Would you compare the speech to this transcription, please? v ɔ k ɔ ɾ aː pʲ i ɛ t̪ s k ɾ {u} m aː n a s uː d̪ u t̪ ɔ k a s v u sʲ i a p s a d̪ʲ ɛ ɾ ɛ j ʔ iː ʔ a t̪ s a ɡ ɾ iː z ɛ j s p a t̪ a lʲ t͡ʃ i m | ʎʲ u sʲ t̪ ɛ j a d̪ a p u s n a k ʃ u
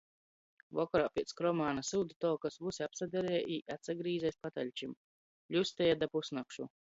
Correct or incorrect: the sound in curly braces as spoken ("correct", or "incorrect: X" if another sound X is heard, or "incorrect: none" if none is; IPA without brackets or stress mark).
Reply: incorrect: ɔ